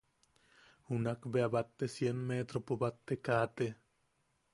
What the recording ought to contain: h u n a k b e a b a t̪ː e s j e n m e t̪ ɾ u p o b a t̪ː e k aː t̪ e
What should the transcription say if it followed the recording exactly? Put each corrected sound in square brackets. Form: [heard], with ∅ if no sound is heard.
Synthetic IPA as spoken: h u n a k b e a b a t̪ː e s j e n m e t̪ ɾ [o] p o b a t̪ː e k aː t̪ e